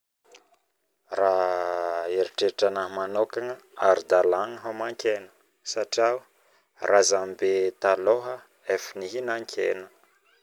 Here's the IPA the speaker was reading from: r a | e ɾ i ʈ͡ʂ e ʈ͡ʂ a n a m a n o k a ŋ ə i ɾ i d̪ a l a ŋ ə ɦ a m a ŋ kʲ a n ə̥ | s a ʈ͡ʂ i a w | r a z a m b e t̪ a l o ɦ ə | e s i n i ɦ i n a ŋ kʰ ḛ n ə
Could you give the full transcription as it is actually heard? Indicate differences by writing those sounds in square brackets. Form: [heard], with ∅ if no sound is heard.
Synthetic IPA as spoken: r a | e ɾ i ʈ͡ʂ e ʈ͡ʂ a n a m a n o k a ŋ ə [a] ɾ i d̪ a l a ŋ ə ɦ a m a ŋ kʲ [e] n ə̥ | s a ʈ͡ʂ i a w | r a z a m b e t̪ a l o ɦ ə | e [f] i n i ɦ i n a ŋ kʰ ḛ n ə

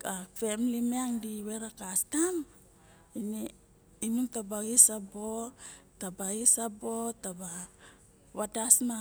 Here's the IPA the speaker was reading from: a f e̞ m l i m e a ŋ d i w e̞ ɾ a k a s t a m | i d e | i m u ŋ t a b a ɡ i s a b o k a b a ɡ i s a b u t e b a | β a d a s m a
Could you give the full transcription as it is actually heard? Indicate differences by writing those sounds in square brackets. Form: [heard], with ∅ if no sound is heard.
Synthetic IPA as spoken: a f e̞ m l i m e a ŋ d i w e̞ ɾ a k a s t a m | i [n] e | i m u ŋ t a b a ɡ i s a b o [t] a b a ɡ i s a b [o] t [a] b a | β a d a s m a

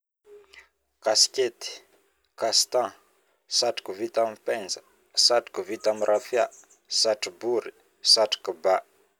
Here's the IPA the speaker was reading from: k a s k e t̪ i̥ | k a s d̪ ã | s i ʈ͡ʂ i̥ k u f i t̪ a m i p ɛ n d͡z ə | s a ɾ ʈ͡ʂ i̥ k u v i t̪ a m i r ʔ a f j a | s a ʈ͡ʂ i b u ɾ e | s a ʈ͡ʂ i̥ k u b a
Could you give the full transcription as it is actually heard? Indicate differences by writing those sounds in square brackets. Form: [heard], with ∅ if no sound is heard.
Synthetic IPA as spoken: k a s k e t̪ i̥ | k a s [t̪] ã | s [a] ʈ͡ʂ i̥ k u [v] i t̪ a m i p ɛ n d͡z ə | s a [∅] ʈ͡ʂ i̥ k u v i t̪ a m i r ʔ a f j a | s a ʈ͡ʂ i b u ɾ [i] | s a ʈ͡ʂ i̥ k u b a

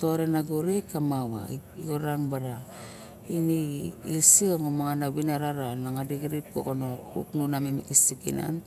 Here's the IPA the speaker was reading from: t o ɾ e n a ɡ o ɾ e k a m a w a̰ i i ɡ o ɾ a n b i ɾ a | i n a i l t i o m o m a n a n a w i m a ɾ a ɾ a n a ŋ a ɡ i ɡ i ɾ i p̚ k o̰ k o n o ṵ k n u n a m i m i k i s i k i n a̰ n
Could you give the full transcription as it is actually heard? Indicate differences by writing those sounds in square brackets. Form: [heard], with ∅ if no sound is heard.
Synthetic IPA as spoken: t o ɾ e n a ɡ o ɾ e k a m a w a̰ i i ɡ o ɾ a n b [a] ɾ a | i n [i] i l [s] i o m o m a [ŋ] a n a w i [n] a ɾ a ɾ a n a ŋ a [d] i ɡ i ɾ i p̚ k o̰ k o n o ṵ k n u n a m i m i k i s i k i n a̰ n

